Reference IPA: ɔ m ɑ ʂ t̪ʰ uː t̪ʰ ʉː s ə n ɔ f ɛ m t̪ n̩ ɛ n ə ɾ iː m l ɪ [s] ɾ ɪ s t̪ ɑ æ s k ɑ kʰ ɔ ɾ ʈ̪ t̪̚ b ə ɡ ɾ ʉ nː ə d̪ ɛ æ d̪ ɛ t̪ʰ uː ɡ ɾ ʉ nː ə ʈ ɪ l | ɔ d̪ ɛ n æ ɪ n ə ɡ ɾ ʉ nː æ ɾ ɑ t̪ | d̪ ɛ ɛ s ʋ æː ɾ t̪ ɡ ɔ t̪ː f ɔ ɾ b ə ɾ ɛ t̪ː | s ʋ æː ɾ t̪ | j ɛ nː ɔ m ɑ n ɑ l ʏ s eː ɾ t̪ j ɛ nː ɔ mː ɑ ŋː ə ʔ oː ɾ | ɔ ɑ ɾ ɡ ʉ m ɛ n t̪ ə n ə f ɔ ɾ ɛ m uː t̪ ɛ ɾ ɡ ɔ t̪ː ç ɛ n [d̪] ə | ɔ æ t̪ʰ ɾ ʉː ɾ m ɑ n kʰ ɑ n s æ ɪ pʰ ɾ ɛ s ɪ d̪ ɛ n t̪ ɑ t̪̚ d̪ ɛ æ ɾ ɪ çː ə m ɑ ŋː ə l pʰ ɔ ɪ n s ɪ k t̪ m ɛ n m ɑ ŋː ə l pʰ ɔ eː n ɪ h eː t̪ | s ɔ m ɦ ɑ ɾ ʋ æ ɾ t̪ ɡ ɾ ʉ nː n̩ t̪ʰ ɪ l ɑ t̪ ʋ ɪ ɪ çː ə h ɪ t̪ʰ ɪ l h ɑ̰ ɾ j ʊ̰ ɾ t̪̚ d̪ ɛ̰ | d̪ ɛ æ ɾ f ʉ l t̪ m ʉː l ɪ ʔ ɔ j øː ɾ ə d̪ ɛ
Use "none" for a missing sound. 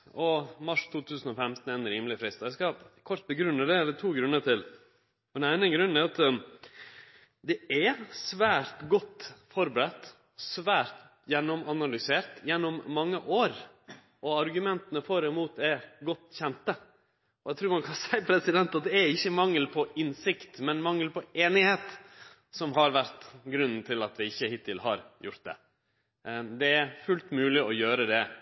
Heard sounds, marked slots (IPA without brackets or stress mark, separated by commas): f, t̪